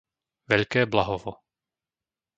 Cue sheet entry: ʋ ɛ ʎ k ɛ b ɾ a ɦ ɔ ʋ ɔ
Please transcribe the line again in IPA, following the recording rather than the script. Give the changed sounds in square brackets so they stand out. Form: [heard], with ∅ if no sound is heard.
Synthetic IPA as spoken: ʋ ɛ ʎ k [ɛː] b [l] a ɦ ɔ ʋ ɔ